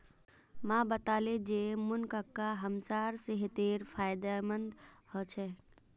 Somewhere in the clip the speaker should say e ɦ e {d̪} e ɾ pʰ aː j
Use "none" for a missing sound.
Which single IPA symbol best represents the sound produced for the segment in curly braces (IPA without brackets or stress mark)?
t̪